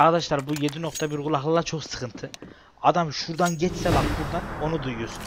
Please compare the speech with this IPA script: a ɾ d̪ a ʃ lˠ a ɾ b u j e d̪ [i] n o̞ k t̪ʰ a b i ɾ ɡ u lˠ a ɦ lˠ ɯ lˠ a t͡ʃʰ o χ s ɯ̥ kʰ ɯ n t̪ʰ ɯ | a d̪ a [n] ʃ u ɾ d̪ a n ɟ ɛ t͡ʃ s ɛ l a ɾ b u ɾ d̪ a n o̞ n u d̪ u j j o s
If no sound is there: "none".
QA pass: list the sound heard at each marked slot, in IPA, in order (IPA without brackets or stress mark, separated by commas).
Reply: i, m